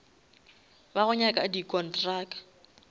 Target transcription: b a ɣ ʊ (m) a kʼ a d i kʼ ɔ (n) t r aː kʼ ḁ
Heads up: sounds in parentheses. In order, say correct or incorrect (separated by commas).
incorrect, correct